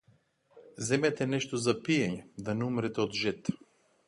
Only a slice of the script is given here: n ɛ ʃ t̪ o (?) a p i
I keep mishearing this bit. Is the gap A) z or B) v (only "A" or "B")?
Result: A